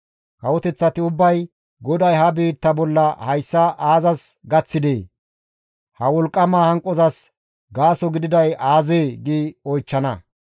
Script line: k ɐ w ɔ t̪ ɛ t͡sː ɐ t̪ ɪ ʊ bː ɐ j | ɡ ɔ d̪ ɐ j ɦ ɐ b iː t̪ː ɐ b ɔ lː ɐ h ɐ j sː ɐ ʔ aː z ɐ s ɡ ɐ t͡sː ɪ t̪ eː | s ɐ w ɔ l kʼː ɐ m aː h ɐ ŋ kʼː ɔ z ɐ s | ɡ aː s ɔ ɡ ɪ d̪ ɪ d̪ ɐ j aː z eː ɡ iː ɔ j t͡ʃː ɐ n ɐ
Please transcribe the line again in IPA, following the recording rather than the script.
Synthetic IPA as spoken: k ɐ w ɔ t̪ ɛ t͡sː ɐ t̪ ɪ ʊ bː ɐ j | ɡ ɔ d̪ ɐ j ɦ ɐ b iː t̪ː ɐ b ɔ lː ɐ h ɐ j sː ɐ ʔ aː z ɐ s ɡ ɐ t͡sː ɪ d̪ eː | h ɐ w ɔ l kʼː ɐ m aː h ɐ ŋ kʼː ɔ z ɐ s | ɡ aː s ɔ ɡ ɪ d̪ ɪ d̪ ɐ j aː z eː ɡ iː ɔ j t͡ʃː ɐ n ɐ